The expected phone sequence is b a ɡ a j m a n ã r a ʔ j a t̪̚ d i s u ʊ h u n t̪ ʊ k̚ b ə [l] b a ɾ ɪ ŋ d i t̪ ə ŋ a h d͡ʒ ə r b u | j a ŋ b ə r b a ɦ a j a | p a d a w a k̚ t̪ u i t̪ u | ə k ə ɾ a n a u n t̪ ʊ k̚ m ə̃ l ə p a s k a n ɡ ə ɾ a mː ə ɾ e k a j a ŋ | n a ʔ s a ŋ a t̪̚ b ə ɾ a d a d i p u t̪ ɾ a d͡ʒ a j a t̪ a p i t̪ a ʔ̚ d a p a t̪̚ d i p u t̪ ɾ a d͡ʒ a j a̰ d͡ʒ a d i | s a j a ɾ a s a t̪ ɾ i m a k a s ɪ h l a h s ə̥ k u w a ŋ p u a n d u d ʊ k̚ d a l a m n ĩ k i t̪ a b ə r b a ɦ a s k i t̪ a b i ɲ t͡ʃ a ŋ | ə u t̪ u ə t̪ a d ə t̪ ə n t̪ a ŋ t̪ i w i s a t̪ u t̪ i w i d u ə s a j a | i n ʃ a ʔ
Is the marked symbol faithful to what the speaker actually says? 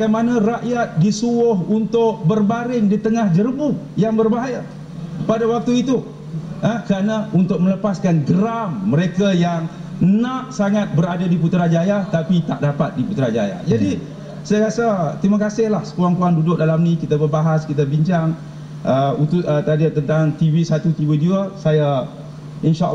no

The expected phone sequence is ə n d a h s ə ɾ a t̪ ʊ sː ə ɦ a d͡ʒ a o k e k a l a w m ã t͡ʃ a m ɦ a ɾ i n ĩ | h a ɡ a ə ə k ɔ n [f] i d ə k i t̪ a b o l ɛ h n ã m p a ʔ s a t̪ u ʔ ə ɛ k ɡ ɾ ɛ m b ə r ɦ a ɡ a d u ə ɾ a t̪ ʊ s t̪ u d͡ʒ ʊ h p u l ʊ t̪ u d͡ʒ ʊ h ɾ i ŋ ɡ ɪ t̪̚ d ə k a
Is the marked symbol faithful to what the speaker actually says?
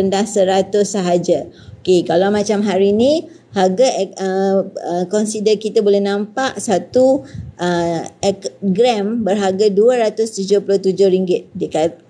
no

